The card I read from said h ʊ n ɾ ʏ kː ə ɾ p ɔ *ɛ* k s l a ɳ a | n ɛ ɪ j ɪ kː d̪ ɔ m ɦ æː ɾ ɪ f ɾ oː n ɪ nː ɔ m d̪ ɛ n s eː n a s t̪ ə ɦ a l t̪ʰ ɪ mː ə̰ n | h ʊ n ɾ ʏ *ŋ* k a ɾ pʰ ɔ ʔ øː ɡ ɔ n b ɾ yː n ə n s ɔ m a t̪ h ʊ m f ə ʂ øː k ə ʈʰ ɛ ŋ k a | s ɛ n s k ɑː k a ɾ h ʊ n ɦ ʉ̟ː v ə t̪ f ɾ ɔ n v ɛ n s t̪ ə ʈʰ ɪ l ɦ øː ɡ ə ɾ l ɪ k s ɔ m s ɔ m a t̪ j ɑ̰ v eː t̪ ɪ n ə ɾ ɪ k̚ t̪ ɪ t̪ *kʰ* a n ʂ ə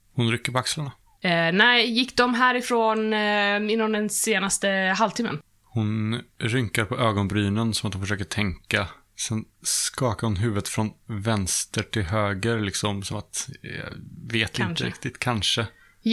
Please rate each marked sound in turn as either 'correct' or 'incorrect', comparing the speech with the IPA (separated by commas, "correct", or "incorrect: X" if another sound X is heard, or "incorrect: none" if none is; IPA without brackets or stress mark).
incorrect: a, correct, correct